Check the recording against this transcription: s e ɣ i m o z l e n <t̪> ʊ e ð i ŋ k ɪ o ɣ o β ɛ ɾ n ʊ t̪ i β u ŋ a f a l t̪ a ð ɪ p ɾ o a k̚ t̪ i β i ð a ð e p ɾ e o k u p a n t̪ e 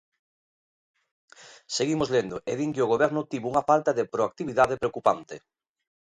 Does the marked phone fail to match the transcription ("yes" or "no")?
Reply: yes